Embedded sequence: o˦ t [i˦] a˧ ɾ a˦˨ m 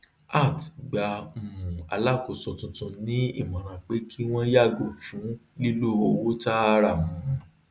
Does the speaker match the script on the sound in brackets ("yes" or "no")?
no